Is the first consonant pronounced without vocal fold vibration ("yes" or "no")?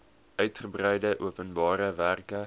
no